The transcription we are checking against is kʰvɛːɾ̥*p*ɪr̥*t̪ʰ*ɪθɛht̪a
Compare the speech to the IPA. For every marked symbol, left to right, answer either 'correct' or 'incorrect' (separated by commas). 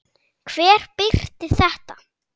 correct, incorrect